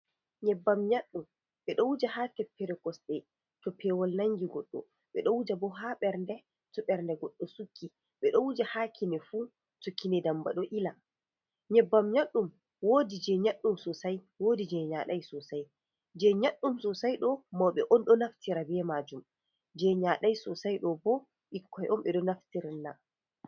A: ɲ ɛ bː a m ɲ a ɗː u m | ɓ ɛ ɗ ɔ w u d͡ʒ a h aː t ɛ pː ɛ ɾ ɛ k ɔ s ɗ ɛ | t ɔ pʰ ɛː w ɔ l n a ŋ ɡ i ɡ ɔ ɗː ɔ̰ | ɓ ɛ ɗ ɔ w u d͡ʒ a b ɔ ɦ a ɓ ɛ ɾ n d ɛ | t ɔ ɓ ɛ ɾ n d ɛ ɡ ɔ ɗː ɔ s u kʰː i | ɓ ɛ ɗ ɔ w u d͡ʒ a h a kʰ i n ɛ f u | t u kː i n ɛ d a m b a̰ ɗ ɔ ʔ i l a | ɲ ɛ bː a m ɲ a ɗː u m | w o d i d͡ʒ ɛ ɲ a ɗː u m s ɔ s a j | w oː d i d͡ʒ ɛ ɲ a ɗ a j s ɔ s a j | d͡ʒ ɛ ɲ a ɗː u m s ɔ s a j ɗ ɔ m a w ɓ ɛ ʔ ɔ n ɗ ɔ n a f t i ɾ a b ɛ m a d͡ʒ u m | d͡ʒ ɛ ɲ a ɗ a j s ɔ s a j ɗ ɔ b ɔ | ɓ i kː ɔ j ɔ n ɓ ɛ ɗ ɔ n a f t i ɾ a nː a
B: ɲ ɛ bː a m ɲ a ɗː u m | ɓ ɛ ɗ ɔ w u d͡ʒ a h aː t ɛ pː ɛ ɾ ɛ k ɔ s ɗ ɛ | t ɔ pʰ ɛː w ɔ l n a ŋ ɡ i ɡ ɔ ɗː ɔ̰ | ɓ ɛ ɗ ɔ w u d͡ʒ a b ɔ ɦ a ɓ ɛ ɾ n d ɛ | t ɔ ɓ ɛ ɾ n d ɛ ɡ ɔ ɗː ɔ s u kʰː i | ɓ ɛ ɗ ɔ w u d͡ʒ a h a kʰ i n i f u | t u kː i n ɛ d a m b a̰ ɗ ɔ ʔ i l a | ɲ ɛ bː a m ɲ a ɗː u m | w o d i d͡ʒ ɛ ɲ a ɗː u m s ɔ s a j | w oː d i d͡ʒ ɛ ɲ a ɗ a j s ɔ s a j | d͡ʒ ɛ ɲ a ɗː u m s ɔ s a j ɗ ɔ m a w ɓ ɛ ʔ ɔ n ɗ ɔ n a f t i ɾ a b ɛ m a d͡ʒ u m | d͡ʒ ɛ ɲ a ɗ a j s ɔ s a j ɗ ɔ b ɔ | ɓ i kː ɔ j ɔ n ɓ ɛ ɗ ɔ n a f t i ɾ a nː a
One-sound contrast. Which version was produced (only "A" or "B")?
A